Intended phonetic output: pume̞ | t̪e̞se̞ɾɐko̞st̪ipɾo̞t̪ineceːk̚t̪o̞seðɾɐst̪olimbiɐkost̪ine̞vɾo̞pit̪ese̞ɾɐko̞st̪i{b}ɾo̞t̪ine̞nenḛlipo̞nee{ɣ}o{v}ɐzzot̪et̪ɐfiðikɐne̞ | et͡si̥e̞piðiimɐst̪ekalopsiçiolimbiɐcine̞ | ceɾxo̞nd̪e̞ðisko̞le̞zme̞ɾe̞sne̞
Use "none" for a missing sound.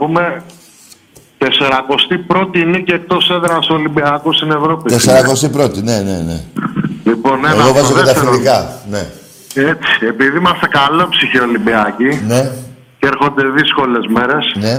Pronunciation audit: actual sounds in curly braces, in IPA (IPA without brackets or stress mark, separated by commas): p, ɣ, v